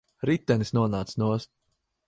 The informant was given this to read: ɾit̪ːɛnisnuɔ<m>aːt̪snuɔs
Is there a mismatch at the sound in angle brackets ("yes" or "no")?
yes